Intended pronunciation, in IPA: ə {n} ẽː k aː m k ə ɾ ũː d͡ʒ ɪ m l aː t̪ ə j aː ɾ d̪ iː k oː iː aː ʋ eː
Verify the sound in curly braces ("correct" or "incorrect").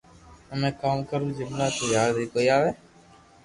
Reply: incorrect